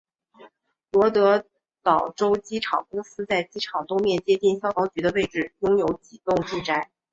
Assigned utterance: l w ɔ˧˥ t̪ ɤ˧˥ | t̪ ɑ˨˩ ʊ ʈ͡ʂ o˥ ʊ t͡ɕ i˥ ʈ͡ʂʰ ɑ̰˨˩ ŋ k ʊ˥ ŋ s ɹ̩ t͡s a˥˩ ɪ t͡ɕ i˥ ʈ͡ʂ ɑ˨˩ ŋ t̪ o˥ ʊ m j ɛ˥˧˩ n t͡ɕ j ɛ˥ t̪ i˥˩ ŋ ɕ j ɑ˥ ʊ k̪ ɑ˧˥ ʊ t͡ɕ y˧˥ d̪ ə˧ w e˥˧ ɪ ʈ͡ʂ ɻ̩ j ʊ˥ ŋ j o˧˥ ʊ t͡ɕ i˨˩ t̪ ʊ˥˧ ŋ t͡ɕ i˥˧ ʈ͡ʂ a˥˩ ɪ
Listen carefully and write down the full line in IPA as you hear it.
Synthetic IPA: l w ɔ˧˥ t̪ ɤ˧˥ | t̪ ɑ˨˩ ʊ ʈ͡ʂ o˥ ʊ t͡ɕ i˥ ʈ͡ʂʰ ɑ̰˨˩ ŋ k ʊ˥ ŋ s ɹ̩ t͡s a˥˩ ɪ t͡ɕ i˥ ʈ͡ʂʰ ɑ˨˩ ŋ t̪ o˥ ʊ m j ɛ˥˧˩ n t͡ɕ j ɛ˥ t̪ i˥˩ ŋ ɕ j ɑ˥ ʊ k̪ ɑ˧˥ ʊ t͡ɕ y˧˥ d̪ ə˧ w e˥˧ ɪ ʈ͡ʂ ɻ̩ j ʊ˥ ŋ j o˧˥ ʊ t͡ɕ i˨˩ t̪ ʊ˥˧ ŋ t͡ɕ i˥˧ ʈ͡ʂ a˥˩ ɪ